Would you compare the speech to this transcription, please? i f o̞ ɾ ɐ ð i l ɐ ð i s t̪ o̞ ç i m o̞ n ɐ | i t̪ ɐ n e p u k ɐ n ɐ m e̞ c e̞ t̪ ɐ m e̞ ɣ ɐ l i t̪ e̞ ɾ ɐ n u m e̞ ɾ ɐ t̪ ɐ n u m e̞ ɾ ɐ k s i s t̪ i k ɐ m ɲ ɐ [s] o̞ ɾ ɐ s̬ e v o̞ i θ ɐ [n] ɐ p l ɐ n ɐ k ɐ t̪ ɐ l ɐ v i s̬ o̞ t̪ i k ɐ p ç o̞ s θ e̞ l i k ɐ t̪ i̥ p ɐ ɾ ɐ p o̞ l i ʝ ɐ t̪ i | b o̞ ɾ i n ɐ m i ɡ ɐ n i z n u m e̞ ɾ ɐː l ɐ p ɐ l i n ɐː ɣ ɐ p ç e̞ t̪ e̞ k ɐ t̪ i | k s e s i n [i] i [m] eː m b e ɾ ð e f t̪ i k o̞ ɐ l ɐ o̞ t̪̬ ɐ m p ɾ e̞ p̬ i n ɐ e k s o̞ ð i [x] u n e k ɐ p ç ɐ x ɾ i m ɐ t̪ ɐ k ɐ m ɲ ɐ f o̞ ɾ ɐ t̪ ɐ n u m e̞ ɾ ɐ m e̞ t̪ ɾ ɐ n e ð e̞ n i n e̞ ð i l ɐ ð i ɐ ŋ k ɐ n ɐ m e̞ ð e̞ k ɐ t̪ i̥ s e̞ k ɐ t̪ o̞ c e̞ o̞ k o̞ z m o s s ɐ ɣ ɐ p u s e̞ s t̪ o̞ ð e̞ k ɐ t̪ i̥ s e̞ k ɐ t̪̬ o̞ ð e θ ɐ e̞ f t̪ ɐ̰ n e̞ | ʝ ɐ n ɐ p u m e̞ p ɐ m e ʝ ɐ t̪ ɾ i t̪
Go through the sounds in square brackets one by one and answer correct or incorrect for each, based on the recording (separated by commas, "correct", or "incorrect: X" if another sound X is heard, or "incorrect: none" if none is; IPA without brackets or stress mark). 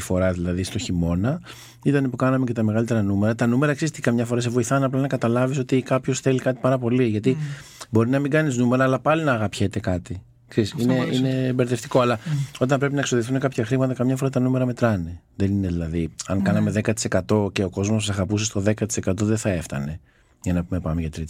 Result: incorrect: f, correct, incorrect: e, incorrect: n, incorrect: θ